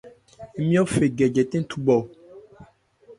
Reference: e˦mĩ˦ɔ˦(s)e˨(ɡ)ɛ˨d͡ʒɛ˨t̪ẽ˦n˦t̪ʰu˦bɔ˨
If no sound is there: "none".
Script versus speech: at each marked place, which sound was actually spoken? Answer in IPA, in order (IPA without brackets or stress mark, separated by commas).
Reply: f, ɡ